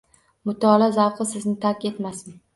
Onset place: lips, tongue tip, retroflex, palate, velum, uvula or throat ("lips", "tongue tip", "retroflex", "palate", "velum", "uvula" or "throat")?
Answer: lips